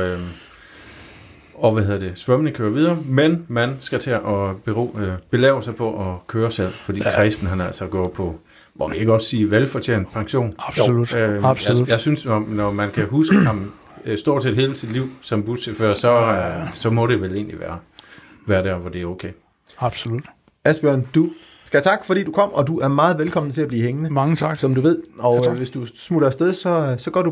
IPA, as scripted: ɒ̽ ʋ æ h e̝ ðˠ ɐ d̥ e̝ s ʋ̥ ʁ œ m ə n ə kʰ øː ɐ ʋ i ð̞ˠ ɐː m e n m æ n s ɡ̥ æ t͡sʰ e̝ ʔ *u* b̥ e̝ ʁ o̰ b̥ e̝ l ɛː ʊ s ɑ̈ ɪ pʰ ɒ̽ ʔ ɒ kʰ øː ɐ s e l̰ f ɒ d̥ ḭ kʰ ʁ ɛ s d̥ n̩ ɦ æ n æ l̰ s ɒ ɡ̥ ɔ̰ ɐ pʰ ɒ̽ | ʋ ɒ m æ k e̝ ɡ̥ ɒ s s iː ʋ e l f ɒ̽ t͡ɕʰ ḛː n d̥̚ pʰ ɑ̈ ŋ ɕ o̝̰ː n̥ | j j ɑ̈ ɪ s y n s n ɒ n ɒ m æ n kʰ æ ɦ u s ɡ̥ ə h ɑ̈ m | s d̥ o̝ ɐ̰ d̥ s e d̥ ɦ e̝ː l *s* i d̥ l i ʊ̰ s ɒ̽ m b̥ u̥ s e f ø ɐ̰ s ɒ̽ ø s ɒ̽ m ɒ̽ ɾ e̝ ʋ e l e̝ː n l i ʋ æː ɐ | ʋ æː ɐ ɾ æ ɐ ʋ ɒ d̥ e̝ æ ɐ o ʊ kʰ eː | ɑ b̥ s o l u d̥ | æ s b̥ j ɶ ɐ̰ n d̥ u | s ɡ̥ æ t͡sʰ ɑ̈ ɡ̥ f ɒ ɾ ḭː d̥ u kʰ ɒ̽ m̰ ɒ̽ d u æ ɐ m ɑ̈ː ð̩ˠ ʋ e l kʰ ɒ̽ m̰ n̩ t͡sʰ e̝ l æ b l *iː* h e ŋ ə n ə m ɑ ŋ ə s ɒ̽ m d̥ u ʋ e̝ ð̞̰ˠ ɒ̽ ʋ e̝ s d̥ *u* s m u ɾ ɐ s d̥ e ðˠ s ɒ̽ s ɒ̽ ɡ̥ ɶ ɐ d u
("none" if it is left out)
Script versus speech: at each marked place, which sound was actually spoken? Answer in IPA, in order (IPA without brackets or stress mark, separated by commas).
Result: ɒ, s, iː, u